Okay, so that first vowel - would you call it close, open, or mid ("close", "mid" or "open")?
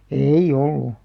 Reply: mid